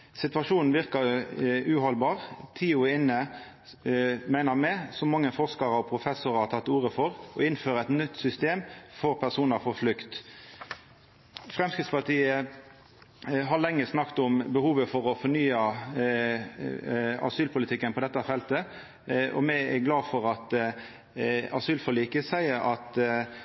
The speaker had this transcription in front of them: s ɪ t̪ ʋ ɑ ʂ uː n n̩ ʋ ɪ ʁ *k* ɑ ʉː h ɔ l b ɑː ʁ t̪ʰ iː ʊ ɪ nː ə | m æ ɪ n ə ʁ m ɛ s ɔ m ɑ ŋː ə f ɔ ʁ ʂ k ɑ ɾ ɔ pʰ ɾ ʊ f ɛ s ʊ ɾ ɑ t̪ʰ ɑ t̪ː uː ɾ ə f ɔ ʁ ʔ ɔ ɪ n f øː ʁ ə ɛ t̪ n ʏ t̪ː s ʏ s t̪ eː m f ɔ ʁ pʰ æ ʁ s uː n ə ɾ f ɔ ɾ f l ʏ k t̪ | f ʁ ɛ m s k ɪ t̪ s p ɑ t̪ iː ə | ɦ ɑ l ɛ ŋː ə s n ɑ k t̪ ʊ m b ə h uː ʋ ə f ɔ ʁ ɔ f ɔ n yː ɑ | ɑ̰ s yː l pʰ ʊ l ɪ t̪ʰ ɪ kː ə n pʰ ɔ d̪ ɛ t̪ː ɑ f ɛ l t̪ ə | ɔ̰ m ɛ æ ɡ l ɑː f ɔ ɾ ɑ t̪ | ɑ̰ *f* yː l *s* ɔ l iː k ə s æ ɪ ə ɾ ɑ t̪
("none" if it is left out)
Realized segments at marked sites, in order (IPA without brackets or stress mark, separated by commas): k, s, f